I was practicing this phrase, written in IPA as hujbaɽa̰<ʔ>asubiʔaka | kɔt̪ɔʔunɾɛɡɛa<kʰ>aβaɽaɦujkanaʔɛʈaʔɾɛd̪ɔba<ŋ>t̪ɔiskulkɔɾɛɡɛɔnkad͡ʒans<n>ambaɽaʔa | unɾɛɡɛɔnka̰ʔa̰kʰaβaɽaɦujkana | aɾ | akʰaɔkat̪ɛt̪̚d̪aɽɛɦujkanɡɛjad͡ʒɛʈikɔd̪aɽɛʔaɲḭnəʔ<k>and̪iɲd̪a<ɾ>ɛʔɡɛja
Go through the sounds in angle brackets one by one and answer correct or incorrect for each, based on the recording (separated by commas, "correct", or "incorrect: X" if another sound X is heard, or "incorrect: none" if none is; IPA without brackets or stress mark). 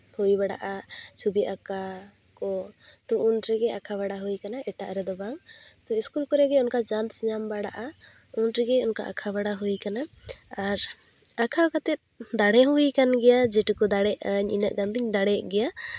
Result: correct, correct, correct, incorrect: ɲ, incorrect: ɡ, incorrect: ɽ